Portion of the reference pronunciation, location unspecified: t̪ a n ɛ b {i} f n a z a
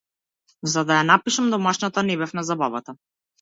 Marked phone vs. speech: incorrect: ɛ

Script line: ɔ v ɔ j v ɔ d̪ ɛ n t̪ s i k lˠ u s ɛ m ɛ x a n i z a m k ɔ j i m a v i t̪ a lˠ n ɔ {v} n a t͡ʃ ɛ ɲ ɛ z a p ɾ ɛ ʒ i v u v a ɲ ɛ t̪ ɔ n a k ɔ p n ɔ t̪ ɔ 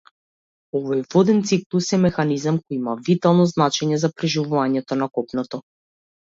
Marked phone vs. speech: incorrect: z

